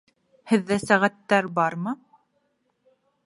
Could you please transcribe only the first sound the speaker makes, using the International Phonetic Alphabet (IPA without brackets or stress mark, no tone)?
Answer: h